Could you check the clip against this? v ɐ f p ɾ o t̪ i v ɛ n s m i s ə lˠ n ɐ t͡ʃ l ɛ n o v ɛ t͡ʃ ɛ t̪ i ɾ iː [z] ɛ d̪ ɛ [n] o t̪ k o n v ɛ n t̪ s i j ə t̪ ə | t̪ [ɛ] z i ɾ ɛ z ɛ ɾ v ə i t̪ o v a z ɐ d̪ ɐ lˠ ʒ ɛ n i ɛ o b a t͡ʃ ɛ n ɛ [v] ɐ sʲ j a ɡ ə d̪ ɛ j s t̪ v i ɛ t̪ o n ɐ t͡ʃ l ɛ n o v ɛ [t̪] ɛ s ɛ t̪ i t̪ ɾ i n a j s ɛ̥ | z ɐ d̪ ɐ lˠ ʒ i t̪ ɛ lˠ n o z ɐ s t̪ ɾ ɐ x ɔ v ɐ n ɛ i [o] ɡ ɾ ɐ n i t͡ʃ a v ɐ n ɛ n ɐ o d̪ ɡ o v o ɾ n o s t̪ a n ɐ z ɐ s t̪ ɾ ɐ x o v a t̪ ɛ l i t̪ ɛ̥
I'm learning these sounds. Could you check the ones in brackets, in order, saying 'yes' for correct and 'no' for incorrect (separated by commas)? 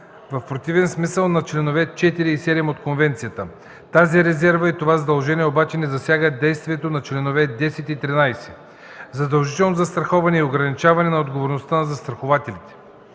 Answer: no, no, no, no, no, yes